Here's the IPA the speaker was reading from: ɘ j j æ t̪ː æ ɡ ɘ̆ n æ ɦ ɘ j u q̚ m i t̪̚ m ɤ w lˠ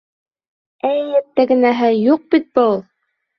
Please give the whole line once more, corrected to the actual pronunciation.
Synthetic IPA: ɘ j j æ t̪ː æ ɡ ɘ̆ n æ ɦ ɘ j u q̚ b i t̪̚ b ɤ u lˠ